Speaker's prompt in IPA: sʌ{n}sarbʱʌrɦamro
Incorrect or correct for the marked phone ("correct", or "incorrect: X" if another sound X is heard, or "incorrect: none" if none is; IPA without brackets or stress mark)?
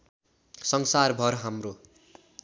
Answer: incorrect: ŋ